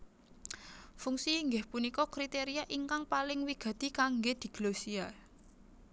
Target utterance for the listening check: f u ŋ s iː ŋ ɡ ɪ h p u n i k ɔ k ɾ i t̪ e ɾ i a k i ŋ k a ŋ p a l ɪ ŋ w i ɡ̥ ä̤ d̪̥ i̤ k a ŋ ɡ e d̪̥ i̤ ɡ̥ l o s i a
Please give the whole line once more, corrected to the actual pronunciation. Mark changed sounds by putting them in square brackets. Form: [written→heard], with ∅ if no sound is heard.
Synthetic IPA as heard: f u ŋ s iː ŋ ɡ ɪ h p u n i k ɔ k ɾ i t̪ e ɾ i a [k→ʔ] i ŋ k a ŋ p a l ɪ ŋ w i ɡ̥ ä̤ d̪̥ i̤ k a ŋ ɡ e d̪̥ i̤ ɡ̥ l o s i a

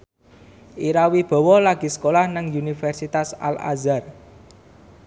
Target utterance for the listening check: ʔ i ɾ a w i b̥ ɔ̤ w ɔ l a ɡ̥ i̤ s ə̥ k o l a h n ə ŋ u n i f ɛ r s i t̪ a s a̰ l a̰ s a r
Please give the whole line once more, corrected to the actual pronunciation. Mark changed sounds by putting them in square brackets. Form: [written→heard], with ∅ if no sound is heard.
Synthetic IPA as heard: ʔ i ɾ a w i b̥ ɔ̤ w ɔ l a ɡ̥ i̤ s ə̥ k o l a h n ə ŋ u n i f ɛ r s i t̪ a s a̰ l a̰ [s→z] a r

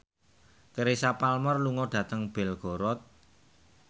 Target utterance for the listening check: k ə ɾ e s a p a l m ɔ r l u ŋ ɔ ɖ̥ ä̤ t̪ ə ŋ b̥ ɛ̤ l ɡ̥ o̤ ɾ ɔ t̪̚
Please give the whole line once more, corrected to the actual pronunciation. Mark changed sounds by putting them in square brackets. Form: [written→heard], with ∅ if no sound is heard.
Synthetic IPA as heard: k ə ɾ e s a p a l m ɔ r l u ŋ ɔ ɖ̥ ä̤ t̪ ə ŋ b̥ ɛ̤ l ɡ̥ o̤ ɾ ɔ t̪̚

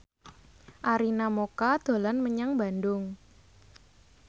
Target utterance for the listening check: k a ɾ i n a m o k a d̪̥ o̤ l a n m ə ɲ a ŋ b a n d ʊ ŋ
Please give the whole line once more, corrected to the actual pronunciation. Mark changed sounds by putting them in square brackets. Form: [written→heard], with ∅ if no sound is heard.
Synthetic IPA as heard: [k→ʔ] a ɾ i n a m o k a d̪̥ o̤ l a n m ə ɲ a ŋ b a n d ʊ ŋ

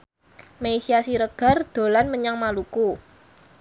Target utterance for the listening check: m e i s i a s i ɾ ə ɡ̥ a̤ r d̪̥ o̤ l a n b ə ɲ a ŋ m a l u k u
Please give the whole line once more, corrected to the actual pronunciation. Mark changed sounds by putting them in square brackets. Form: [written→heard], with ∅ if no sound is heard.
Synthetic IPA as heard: m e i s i a s i ɾ ə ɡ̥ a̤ r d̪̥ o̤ l a n [b→m] ə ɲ a ŋ m a l u k u

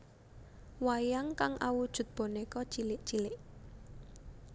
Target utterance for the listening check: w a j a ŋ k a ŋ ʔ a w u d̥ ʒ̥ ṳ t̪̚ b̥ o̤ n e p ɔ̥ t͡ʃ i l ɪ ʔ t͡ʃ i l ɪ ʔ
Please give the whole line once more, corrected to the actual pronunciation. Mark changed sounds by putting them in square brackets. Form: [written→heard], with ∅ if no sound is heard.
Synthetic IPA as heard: w a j a ŋ k a ŋ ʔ a w u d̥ ʒ̥ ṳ t̪̚ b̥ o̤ n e [p→k] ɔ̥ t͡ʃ i l ɪ ʔ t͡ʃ i l ɪ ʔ

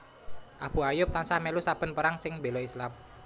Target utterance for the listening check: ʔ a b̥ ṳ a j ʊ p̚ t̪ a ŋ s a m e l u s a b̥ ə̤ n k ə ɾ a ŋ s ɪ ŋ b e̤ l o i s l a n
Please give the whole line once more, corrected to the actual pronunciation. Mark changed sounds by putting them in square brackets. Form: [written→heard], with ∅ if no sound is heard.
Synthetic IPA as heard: ʔ a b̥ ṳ a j ʊ p̚ t̪ a [ŋ→n] s a m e l u s a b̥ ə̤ n [k→p] ə ɾ a ŋ s ɪ ŋ b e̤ l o i s l a [n→m]

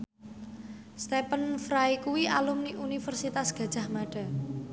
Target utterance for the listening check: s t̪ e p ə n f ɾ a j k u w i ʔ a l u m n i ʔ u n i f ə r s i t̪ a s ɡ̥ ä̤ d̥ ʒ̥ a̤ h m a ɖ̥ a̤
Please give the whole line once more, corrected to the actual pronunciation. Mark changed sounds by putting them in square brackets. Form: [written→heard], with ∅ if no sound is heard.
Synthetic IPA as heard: s t̪ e p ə n f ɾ a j k u w i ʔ a l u m n i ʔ u n i f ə r s i t̪ a s ɡ̥ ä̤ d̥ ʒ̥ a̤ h m a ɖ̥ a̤

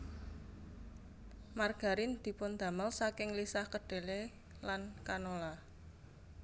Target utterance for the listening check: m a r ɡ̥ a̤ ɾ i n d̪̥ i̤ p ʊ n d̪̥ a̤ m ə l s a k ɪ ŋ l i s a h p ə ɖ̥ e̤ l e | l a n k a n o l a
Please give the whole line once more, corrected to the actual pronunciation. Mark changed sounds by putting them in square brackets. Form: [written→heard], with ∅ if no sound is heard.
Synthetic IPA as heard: m a r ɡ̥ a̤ ɾ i n d̪̥ i̤ p ʊ n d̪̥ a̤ m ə l s a k ɪ ŋ l i s a h [p→k] ə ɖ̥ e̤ l e | l a n k a n o l a

